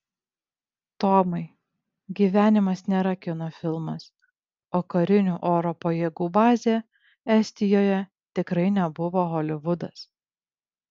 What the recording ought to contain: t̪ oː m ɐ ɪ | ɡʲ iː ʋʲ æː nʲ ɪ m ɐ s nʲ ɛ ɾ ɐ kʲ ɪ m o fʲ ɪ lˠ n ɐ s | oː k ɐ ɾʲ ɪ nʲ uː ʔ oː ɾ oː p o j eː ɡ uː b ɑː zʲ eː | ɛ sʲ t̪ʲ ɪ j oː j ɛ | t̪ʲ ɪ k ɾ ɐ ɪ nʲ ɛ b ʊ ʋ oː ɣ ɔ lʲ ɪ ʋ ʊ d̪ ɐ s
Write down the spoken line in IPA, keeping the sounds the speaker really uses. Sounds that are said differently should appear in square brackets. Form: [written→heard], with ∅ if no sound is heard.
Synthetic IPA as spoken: t̪ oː m ɐ ɪ | ɡʲ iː ʋʲ æː nʲ ɪ m ɐ s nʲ ɛ ɾ ɐ kʲ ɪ [m→n] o fʲ ɪ lˠ [n→m] ɐ s | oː k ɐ ɾʲ ɪ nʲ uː ʔ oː ɾ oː p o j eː ɡ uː b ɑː zʲ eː | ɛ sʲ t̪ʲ ɪ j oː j ɛ | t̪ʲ ɪ k ɾ ɐ ɪ nʲ ɛ b ʊ ʋ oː ɣ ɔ lʲ ɪ ʋ ʊ d̪ ɐ s

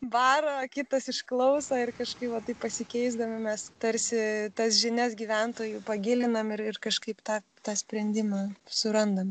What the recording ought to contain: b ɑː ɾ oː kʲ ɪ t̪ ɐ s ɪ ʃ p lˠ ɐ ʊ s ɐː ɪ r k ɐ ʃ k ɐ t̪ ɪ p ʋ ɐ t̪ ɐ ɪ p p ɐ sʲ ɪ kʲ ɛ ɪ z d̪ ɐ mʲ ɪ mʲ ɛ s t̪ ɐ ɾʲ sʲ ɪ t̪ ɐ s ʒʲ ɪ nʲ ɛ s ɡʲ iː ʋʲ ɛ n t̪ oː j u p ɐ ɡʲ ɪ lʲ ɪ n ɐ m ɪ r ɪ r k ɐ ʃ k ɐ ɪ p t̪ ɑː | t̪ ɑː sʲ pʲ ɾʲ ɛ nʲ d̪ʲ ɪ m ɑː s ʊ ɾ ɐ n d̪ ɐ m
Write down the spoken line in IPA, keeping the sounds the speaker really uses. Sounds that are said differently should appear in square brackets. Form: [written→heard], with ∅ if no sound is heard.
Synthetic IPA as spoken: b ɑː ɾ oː kʲ ɪ t̪ ɐ s ɪ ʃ [p→k] lˠ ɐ ʊ s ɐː ɪ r k ɐ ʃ k ɐ [t̪→∅] ɪ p ʋ ɐ t̪ ɐ ɪ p p ɐ sʲ ɪ kʲ ɛ ɪ z d̪ ɐ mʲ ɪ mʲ ɛ s t̪ ɐ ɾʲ sʲ ɪ t̪ ɐ s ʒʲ ɪ nʲ ɛ s ɡʲ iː ʋʲ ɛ n t̪ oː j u p ɐ ɡʲ ɪ lʲ ɪ n ɐ m ɪ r ɪ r k ɐ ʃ k ɐ ɪ p t̪ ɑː | t̪ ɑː sʲ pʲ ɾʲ ɛ nʲ d̪ʲ ɪ m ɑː s ʊ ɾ ɐ n d̪ ɐ m

